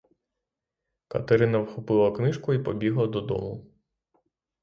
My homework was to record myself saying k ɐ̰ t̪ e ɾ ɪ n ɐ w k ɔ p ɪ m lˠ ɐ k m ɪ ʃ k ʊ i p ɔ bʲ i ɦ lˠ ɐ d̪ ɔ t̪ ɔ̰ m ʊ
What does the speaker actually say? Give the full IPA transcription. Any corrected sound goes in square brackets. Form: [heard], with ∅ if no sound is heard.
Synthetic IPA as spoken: k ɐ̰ t̪ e ɾ ɪ n ɐ w [x] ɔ p ɪ [∅] lˠ ɐ k [n] ɪ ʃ k ʊ i p ɔ bʲ i ɦ lˠ ɐ d̪ ɔ [d̪] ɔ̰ m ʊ